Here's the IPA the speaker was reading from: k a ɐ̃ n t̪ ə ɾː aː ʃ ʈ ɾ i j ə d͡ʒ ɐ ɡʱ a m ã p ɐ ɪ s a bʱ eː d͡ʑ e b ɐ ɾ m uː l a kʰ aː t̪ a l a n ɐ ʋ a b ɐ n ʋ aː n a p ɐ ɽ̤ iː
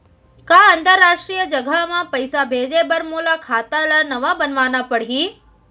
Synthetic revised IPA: k a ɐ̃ n t̪ ə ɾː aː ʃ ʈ ɾ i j ə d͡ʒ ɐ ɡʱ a m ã p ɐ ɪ s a bʱ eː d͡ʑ e b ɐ ɾ m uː l a kʰ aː t̪ a l a n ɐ ʋ a b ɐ n ʋ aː n a p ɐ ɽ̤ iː